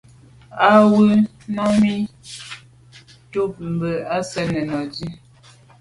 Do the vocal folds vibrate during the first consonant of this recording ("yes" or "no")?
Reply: yes